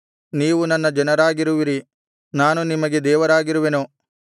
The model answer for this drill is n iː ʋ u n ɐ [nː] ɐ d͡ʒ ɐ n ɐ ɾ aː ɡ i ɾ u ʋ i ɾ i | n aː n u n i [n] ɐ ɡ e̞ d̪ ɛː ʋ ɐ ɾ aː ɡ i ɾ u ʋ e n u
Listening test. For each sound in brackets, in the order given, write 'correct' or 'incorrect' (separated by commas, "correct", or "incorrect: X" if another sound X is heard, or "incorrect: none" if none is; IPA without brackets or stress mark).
correct, incorrect: m